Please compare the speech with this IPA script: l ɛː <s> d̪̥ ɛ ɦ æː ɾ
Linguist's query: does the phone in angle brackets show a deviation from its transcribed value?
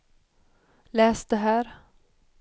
no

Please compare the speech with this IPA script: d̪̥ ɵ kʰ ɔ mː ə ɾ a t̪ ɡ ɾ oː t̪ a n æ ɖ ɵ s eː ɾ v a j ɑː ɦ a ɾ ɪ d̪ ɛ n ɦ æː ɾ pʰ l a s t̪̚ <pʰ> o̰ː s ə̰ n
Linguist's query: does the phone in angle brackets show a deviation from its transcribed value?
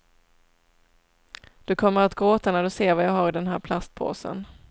no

